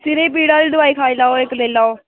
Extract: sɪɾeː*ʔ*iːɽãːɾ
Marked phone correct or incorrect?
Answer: incorrect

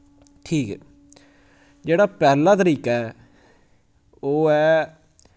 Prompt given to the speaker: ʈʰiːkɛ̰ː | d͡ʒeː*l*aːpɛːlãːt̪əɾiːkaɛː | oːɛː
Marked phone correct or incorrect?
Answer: incorrect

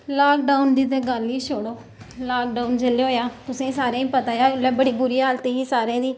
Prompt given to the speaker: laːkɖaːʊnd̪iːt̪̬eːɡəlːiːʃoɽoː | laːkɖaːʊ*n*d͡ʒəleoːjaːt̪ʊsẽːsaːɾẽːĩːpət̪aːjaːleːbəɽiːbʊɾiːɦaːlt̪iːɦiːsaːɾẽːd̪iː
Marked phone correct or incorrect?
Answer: correct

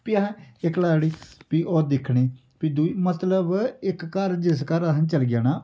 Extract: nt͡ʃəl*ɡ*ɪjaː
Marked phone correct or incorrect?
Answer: correct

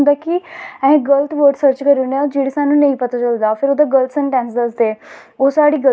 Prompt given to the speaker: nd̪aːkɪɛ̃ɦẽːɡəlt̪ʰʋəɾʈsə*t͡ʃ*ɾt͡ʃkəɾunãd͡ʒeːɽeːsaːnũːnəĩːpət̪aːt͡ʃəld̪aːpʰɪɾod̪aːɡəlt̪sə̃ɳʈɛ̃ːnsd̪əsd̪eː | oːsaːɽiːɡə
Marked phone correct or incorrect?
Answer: incorrect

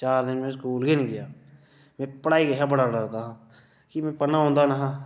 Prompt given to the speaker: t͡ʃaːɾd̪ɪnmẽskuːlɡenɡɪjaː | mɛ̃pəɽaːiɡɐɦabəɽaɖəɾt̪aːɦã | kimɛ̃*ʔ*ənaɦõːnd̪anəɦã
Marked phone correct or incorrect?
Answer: incorrect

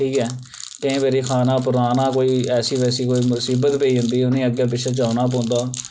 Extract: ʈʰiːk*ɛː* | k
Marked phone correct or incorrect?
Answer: correct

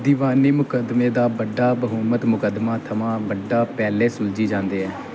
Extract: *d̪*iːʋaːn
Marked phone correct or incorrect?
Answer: correct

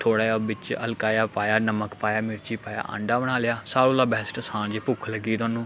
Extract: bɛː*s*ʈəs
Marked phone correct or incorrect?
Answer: correct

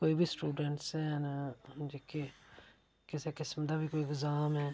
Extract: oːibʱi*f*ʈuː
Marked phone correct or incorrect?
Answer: incorrect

